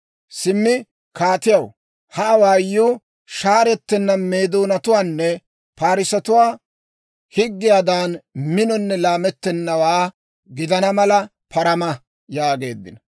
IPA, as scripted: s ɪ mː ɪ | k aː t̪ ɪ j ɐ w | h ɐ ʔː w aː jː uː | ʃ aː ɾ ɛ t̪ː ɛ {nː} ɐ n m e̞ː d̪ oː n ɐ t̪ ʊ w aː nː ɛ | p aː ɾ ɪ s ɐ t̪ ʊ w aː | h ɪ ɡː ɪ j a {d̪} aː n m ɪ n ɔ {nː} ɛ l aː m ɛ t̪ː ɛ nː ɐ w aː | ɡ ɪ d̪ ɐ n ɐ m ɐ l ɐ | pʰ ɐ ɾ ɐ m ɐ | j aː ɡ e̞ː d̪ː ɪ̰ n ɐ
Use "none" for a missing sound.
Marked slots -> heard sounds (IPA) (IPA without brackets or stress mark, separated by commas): nː, d̪, nː